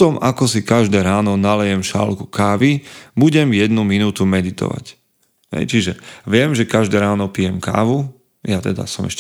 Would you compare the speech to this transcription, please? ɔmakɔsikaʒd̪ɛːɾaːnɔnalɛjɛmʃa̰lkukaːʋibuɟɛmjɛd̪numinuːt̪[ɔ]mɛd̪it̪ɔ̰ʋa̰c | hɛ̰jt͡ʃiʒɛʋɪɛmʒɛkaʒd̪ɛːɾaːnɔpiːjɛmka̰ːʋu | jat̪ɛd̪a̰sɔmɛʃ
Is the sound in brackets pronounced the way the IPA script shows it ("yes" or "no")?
no